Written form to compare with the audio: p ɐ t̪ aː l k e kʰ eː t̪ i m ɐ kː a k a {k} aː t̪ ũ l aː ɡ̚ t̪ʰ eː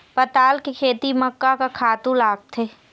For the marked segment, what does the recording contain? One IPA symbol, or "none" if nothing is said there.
kʰ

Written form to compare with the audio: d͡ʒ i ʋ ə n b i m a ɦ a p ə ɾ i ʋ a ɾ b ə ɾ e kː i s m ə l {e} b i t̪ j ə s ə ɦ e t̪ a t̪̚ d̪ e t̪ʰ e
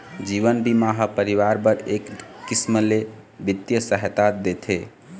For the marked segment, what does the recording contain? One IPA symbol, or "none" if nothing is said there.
e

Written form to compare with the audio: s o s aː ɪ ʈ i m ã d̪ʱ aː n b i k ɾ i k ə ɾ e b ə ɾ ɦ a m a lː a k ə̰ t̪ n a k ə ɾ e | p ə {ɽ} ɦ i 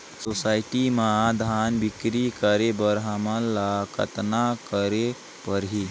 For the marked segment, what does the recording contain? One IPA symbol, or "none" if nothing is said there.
ɾ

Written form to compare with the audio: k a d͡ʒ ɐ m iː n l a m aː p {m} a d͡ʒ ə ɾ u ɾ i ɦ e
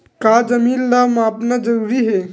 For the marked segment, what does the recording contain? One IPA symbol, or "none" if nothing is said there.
n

